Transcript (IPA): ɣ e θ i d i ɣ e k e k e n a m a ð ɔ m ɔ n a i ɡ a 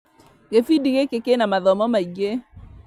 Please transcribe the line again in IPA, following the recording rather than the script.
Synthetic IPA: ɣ e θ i d i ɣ e k e k e n a m a ð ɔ m ɔ m a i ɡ e